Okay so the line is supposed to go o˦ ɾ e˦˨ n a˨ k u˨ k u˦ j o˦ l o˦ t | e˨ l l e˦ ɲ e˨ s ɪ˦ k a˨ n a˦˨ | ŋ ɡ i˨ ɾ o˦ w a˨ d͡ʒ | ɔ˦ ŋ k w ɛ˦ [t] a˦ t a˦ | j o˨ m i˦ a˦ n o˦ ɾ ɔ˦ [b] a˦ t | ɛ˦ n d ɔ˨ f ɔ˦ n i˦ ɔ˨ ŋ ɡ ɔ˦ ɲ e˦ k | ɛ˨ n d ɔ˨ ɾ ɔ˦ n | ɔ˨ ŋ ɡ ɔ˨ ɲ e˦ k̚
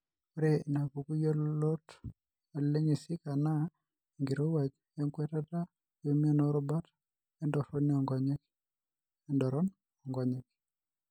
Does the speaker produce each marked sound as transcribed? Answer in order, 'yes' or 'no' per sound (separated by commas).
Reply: yes, yes